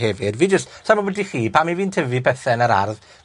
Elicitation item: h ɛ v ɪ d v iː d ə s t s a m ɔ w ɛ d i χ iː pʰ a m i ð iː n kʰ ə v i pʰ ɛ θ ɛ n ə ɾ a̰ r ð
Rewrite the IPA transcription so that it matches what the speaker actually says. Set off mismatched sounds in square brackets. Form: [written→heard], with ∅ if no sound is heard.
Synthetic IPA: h ɛ v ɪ d v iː [d→d͡ʒ] ə s t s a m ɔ w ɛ d i χ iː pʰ a m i [ð→v] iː n [kʰ→tʰ] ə v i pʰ ɛ θ ɛ n ə ɾ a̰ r ð